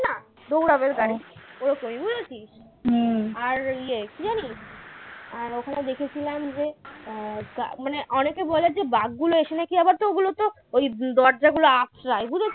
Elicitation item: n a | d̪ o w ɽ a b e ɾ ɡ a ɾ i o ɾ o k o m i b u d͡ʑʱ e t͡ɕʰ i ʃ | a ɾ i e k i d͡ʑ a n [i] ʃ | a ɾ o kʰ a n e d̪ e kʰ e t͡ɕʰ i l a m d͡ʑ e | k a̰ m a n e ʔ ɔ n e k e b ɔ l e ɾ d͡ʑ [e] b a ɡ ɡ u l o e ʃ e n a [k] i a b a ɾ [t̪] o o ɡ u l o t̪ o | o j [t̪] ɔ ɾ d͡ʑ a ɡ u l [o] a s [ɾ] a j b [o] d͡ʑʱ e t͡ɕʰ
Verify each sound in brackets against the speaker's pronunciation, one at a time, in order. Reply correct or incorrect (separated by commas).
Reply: correct, correct, correct, correct, incorrect, correct, correct, incorrect